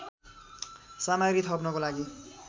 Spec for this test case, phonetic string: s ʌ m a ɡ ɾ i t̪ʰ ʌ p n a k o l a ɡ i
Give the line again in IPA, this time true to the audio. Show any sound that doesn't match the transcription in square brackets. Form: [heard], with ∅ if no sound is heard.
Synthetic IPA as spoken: s [a] m a ɡ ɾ i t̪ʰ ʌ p n [ʌ] k o l a ɡ i